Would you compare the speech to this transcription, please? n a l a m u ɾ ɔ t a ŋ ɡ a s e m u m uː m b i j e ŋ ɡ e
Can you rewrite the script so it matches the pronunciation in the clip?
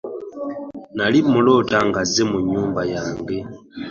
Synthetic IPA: n a l i m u l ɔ t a ŋ ɡ a z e m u ɲ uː m b a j a ŋ ɡ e